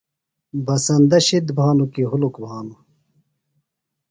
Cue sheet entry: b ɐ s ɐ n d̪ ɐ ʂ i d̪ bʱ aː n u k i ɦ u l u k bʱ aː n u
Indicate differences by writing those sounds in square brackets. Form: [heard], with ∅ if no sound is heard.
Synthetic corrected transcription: b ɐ s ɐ n d̪ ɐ [ɕ] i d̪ bʱ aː n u k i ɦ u l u k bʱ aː n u

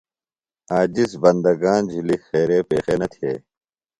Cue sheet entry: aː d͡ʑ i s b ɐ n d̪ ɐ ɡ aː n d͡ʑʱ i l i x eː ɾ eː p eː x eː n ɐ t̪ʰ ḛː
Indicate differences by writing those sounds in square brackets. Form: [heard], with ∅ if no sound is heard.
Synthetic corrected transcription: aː d͡ʑ i s b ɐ n d̪ ɐ ɡ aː n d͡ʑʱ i l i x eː ɾ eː p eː x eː n ɐ t̪ʰ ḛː

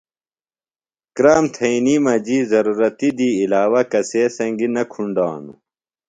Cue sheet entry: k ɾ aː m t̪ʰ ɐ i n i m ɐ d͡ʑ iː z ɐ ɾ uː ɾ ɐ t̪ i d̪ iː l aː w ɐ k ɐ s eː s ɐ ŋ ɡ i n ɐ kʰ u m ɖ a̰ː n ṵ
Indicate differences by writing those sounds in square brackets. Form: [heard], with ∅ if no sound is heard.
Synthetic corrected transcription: k ɾ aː m t̪ʰ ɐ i n i m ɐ d͡ʑ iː z ɐ ɾ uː ɾ ɐ t̪ i d̪ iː l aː w ɐ k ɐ s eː s ɐ ŋ ɡ i n ɐ kʰ u [ɳ] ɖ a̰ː n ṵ

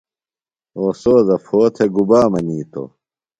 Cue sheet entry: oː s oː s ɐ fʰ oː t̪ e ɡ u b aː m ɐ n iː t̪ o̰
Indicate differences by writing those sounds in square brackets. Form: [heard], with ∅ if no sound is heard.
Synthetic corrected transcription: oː s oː [z] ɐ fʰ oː [t̪ʰ] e ɡ u b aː m ɐ n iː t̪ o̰

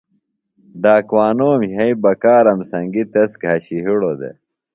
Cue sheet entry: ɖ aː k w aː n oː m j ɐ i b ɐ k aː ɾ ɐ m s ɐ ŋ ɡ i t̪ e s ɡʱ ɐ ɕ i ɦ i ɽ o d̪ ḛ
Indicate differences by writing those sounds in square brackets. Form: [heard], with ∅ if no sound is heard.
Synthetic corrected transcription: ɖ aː k w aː n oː m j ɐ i b ɐ k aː ɾ ɐ m s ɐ ŋ ɡ i t̪ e s ɡʱ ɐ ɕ i ɦ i ɽ o d̪ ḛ

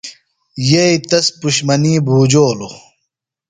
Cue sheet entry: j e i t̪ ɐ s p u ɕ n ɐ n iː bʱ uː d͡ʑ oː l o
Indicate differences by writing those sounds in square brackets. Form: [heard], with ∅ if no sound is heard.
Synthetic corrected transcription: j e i t̪ ɐ s p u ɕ [m] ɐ n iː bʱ uː d͡ʑ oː l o

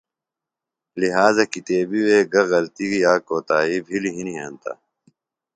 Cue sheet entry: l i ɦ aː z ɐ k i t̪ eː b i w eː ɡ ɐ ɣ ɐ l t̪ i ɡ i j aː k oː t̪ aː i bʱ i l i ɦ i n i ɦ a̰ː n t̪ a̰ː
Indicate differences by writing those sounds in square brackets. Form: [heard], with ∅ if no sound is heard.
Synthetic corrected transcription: l i ɦ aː z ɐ k i t̪ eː b i w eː ɡ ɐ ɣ ɐ l t̪ i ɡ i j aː k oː t̪ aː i bʱ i l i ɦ i n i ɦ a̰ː n t̪ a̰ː

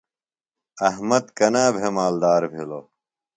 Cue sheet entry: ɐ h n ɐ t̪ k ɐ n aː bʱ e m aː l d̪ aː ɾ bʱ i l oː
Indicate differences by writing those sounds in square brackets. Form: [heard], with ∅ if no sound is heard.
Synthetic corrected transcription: ɐ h [m] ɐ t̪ k ɐ n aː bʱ e m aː l d̪ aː ɾ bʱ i l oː

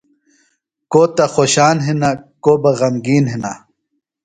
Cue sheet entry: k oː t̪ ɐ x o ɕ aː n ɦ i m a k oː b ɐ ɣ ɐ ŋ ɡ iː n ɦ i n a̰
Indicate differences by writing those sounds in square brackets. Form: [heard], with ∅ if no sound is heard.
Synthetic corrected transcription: k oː t̪ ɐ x o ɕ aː n ɦ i [n] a k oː b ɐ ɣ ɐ [m] ɡ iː n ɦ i n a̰

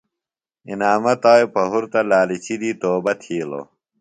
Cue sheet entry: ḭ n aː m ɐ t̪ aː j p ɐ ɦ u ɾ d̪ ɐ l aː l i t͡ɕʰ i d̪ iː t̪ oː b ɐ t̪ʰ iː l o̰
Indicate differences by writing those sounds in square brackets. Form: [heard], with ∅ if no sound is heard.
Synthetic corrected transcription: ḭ n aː m ɐ t̪ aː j p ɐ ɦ u ɾ [t̪] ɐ l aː l i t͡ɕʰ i d̪ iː t̪ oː b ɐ t̪ʰ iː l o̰

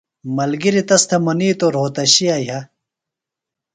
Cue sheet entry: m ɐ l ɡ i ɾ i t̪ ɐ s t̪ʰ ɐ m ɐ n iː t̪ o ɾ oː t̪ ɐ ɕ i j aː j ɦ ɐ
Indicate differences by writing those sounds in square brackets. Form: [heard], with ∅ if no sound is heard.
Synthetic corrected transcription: m ɐ l ɡ i ɾ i t̪ ɐ s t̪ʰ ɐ m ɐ n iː t̪ o ɾ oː t̪ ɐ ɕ i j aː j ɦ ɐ

